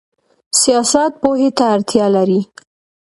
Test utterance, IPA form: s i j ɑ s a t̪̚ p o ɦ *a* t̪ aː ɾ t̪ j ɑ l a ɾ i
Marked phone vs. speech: incorrect: e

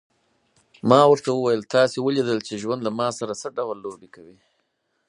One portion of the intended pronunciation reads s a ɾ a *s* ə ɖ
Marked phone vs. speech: correct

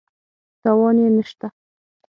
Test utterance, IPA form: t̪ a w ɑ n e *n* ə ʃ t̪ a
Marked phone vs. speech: correct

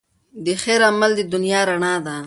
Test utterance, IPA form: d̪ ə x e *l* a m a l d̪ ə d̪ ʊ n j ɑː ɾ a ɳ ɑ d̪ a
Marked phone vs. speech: incorrect: ɾ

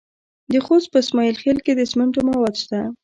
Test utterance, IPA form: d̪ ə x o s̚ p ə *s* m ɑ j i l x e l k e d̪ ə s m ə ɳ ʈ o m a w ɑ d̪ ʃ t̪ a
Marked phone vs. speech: correct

